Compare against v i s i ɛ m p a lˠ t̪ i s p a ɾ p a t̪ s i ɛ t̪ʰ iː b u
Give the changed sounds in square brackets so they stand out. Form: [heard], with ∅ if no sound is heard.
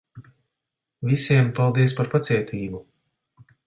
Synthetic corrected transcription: v i s i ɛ m p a lˠ [d̪] i s p a ɾ p a t̪ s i ɛ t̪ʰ iː b u